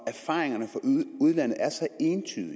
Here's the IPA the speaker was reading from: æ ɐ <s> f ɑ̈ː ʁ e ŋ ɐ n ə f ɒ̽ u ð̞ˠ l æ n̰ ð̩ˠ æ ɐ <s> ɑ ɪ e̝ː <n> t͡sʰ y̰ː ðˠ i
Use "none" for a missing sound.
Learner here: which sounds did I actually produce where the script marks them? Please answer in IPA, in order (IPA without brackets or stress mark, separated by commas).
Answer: none, s, n